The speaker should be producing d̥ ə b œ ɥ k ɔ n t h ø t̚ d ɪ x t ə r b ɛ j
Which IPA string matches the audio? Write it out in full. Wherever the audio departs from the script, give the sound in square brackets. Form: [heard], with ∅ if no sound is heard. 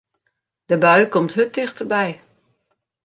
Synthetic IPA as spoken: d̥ ə b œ ɥ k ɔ [m] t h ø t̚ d ɪ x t ə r b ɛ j